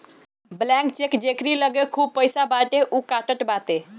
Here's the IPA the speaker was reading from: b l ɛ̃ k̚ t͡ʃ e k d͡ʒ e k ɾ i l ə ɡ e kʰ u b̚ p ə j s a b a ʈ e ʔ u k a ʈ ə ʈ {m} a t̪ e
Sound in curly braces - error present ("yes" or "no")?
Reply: yes